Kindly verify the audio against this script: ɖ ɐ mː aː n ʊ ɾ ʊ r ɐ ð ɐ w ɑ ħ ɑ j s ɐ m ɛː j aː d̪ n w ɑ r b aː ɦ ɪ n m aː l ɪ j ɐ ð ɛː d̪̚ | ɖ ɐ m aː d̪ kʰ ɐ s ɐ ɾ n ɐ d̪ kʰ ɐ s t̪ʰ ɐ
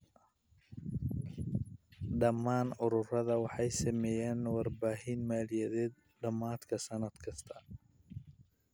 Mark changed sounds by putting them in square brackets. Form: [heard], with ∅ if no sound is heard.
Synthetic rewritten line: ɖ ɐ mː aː n ʊ ɾ ʊ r ɐ ð ɐ w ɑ ħ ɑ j s ɐ m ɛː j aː [∅] n w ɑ r b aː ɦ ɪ n m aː l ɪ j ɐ ð ɛː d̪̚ | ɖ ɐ m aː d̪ kʰ ɐ s ɐ [∅] n ɐ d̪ kʰ ɐ s t̪ʰ ɐ